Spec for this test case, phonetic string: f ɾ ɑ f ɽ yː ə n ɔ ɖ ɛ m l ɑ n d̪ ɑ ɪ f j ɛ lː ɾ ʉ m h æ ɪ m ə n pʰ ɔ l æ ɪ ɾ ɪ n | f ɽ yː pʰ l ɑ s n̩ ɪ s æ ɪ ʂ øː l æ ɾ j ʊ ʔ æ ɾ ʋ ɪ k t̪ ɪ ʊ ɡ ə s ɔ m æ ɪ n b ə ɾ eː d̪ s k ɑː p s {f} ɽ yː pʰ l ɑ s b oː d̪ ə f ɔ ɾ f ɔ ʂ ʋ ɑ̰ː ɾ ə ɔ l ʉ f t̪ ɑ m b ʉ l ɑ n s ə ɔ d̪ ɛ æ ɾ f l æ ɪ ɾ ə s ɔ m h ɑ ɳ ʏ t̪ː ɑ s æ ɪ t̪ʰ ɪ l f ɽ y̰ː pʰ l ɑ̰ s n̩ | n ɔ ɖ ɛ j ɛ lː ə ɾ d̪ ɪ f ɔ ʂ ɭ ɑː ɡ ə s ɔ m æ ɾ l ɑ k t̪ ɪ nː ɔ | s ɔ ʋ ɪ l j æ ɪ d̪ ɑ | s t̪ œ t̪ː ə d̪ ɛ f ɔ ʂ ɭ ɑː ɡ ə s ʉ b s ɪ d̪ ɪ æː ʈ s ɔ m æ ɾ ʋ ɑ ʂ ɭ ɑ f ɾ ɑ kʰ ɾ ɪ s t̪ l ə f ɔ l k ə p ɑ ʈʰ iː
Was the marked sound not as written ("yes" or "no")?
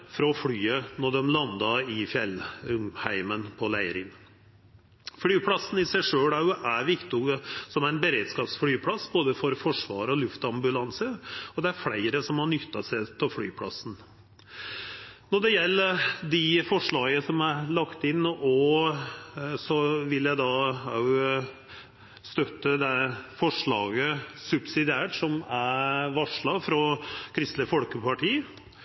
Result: no